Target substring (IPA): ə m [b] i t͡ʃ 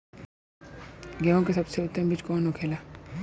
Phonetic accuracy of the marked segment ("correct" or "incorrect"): correct